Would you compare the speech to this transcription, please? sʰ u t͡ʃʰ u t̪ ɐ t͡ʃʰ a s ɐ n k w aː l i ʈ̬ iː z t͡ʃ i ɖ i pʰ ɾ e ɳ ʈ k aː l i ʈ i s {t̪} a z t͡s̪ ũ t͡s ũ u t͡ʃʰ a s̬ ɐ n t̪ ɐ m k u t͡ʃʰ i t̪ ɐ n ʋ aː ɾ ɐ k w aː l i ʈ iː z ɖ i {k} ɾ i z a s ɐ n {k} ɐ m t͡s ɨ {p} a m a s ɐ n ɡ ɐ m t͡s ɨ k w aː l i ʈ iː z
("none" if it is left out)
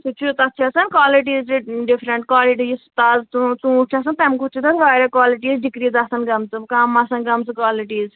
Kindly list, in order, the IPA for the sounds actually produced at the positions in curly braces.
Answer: t̪, k, ɡ, k

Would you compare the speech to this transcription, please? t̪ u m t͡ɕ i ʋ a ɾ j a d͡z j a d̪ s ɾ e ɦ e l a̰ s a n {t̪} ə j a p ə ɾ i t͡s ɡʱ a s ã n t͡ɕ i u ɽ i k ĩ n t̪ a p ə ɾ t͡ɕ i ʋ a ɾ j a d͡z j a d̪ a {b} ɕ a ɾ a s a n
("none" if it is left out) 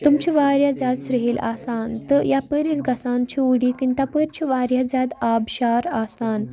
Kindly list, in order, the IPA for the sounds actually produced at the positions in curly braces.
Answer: t̪, b

